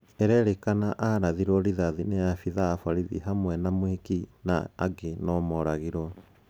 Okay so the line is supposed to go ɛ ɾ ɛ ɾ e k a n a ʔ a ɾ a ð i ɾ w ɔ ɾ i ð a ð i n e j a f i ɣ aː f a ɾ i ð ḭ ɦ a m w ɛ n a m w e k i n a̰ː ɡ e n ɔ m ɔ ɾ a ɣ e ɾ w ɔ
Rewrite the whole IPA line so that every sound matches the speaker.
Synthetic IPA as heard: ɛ ɾ ɛ ɾ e k a n a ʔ a ɾ a ð i ɾ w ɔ ɾ i ð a ð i n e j a f i ð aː f a ɾ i ð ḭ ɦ a m w ɛ n a m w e k i n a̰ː ɡ e n ɔ m ɔ ɾ a ɣ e ɾ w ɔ

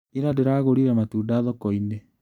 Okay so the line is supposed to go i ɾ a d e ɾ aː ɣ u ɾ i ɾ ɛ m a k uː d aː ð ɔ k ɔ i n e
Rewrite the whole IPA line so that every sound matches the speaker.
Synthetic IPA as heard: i ɾ a d e ɾ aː ɣ o ɾ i ɾ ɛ m a t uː d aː ð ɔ k ɔ i n e

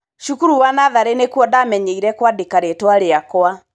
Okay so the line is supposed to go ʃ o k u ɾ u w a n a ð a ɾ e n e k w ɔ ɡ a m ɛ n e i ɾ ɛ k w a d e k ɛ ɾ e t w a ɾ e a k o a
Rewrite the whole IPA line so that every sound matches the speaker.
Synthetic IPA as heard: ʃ u k u ɾ u w a n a ð a ɾ e n e k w ɔ d a m ɛ ɲ e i ɾ ɛ k w a d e k a ɾ e t w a ɾ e a k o a

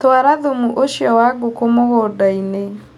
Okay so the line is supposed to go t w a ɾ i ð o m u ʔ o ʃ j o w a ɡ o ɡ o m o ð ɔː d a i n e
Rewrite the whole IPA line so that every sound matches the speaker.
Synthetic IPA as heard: t w a ɾ a ð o m u ʔ o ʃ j ɔ w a ɡ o k o m o ɣ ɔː d a i n e

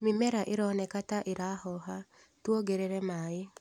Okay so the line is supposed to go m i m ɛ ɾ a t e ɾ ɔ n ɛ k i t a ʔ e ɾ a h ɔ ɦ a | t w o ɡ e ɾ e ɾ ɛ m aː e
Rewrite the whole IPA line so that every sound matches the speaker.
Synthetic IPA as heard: m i m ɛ ɾ a ʔ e ɾ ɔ n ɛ k a t a ʔ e ɾ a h ɔ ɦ a | t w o ɡ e ɾ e ɾ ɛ m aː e

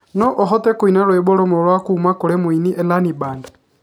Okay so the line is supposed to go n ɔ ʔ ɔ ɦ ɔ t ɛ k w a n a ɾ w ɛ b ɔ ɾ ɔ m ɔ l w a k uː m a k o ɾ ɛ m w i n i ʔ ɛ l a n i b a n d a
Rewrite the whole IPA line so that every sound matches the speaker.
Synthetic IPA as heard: n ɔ ʔ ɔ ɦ ɔ t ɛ k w i n a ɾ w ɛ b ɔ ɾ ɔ m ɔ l w a k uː m a k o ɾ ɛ m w i n i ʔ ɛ l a n i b a n d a

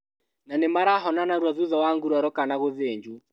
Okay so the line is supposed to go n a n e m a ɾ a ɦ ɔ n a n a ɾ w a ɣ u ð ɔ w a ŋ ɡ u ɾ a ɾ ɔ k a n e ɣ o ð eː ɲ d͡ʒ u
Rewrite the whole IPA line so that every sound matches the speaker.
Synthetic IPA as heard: n a n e m a ɾ a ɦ ɔ n a n a ɾ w a ð u ð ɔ w a ŋ ɡ u ɾ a ɾ ɔ k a n a ɣ o ð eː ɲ d͡ʒ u

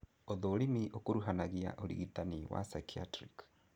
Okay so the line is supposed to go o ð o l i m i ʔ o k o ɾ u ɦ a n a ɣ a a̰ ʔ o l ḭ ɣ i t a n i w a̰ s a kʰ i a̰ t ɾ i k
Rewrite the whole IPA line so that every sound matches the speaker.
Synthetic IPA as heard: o ð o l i m i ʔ o k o ɾ u ɦ a n a ɣ i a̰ ʔ o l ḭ ɣ i t a n i w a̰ s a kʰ i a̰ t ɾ i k

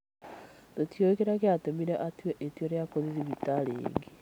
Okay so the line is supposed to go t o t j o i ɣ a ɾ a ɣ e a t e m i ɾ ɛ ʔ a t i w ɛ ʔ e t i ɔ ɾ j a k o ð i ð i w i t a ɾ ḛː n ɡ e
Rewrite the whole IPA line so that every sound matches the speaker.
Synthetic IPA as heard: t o t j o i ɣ e ɾ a ɣ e a t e m i ɾ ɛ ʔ a t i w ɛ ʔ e t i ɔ ɾ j a k o ð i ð i β i t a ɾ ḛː ŋ ɡ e

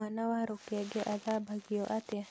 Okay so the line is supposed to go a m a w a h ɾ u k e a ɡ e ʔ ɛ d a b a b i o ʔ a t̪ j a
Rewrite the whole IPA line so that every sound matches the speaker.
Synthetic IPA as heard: a n a w a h ɾ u k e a ɡ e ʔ a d a b a ɡ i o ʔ a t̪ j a

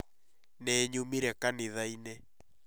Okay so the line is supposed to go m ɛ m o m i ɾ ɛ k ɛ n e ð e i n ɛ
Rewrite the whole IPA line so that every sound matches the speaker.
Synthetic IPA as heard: n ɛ ɲ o m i ɾ ɛ k a n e ð a i n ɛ

